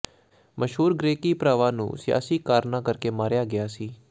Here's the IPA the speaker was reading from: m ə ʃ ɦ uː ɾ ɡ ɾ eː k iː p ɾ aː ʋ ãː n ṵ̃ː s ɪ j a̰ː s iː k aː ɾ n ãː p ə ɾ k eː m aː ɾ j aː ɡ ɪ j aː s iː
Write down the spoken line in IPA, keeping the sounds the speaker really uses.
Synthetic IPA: m ə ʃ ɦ uː ɾ ɡ ɾ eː k iː p ɾ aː ʋ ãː n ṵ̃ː s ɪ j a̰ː s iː k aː ɾ n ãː k ə ɾ k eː m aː ɾ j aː ɡ ɪ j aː s iː